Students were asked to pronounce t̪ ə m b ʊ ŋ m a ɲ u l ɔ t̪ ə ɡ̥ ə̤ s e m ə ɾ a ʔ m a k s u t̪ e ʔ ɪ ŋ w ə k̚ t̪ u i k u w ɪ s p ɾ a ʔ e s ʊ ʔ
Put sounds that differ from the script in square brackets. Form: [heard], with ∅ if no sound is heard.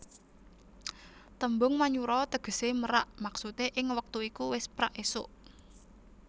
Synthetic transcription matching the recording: t̪ ə m b ʊ ŋ m a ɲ u [ɾ] ɔ t̪ ə ɡ̥ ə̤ s e m ə ɾ a ʔ m a k s u t̪ e ʔ ɪ ŋ w ə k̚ t̪ u i k u w ɪ s p ɾ a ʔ e s ʊ ʔ